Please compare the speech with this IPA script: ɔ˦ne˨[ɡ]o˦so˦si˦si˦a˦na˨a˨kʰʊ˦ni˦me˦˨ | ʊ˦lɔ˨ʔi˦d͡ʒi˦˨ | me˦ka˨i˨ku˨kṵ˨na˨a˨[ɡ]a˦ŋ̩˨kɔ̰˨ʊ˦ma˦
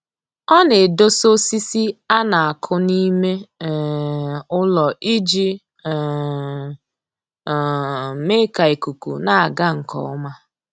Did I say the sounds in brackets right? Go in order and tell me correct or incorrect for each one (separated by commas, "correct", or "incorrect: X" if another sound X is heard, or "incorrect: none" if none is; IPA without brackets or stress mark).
incorrect: d, correct